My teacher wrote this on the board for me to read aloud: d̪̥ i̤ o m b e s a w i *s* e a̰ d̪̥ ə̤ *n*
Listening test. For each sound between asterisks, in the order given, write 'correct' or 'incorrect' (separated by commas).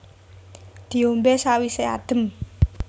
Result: correct, incorrect